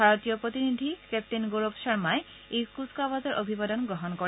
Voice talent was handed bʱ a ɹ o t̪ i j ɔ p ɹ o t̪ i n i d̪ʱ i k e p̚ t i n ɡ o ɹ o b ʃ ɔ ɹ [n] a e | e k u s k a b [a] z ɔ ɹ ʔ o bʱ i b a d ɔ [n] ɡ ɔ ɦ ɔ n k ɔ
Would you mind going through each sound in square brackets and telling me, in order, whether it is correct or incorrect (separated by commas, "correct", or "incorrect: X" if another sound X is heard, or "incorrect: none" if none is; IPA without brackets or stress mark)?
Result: incorrect: m, correct, correct